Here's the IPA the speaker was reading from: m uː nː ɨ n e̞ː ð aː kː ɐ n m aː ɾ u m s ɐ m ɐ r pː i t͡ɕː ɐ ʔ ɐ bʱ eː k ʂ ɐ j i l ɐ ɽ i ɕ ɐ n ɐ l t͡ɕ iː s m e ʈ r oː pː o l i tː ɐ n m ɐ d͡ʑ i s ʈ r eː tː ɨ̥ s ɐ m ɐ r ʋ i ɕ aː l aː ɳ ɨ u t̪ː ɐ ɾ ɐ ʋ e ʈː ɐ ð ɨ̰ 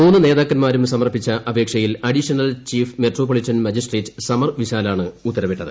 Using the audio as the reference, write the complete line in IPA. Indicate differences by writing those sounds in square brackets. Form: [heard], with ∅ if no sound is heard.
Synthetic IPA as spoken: m uː nː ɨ n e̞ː ð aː kː ɐ n m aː ɾ u m s ɐ m ɐ r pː i t͡ɕː ɐ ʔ ɐ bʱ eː k ʂ ɐ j i l ɐ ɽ i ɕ ɐ n ɐ l t͡ɕ iː [f] m e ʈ r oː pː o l i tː ɐ n m ɐ d͡ʑ i s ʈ r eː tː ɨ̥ s ɐ m ɐ r ʋ i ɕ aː l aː ɳ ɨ u t̪ː ɐ ɾ ɐ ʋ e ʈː ɐ ð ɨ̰